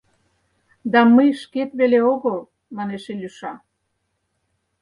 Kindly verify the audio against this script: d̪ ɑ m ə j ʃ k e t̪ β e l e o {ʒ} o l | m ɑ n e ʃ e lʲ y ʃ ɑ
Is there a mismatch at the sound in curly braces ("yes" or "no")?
yes